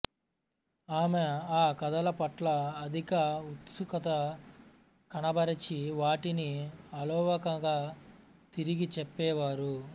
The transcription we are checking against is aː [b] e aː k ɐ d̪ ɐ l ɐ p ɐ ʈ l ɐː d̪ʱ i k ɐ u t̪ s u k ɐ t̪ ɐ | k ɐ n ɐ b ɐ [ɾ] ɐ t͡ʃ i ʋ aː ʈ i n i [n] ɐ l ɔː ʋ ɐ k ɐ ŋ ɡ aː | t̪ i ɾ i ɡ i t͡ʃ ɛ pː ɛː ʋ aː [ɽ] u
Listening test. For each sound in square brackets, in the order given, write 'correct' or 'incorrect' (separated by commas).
incorrect, correct, incorrect, incorrect